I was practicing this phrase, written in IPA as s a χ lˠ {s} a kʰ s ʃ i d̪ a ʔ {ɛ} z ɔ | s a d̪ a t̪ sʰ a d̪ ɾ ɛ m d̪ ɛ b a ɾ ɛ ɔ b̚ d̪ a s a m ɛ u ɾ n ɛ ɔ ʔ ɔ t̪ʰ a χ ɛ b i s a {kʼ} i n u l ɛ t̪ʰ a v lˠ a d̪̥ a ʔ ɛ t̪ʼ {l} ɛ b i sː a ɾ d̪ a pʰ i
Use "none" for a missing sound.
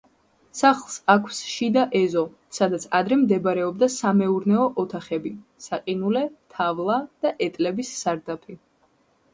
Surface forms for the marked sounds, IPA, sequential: s, ɛ, qʼ, l

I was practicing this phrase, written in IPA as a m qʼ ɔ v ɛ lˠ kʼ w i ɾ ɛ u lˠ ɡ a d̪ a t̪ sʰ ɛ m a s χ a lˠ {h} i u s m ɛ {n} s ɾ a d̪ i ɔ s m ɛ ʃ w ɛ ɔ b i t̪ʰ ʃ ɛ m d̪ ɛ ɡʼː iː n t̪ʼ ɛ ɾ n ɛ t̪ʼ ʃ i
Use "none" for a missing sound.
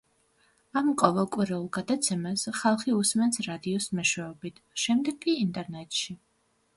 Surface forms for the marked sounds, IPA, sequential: χ, n

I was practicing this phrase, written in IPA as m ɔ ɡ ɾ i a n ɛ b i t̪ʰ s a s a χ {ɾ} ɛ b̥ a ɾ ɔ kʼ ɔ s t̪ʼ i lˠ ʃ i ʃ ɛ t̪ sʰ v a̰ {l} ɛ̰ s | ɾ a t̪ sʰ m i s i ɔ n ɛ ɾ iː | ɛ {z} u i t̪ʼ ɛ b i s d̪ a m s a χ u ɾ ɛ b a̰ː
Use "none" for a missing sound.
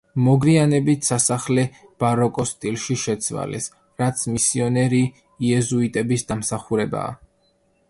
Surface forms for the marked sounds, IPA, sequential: l, l, z

